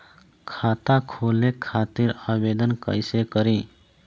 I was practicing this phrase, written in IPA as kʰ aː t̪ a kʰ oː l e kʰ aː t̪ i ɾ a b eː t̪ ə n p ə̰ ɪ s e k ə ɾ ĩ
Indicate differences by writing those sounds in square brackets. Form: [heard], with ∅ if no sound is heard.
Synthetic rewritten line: kʰ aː t̪ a kʰ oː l e kʰ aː t̪ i ɾ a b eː [d̪] ə n [k] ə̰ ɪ s e k ə ɾ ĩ